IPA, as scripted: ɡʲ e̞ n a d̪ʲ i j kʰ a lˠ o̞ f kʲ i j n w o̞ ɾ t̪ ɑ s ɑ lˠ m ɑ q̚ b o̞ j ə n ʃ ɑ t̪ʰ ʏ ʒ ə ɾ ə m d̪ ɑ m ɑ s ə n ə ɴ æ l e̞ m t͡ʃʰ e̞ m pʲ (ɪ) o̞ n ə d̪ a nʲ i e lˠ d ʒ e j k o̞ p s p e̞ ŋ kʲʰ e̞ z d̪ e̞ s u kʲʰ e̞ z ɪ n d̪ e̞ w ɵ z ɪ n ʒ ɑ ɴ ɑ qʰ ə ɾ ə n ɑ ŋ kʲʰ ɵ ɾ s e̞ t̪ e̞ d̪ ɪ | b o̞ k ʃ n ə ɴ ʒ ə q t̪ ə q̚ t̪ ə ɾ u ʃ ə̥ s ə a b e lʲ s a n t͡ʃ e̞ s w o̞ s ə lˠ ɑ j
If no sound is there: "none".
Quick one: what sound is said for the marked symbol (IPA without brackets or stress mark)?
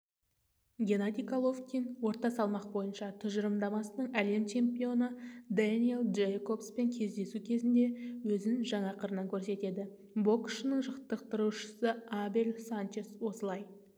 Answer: i